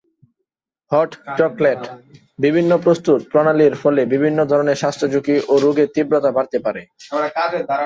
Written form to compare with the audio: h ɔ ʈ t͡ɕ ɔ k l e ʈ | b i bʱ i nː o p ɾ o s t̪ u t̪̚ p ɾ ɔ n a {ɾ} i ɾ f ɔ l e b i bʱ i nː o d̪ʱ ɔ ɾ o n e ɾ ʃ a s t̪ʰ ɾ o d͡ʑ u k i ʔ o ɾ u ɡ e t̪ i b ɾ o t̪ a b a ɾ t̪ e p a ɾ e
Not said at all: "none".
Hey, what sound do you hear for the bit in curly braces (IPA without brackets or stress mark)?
l